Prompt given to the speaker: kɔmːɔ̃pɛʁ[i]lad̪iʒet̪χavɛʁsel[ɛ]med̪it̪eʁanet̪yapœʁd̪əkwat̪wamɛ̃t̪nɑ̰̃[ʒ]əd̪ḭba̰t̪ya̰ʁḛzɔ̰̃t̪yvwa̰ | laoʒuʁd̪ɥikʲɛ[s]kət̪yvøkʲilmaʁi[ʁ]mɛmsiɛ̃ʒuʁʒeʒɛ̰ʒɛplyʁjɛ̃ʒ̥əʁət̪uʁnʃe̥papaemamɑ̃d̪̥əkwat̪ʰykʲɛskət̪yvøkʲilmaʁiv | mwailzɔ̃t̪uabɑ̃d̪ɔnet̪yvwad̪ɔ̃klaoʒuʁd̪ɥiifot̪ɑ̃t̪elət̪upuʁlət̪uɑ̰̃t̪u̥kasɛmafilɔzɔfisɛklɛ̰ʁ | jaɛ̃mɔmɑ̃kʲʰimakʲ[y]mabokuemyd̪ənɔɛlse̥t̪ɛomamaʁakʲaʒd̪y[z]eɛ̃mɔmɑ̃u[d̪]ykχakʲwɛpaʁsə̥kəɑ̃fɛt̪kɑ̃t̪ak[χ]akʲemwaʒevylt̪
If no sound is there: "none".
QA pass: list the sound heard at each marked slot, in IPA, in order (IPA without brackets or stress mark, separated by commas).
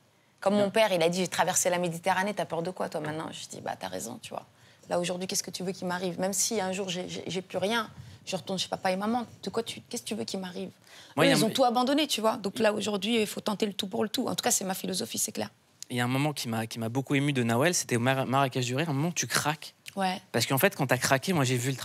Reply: i, a, ʒ, s, v, i, ʁ, t̪, χ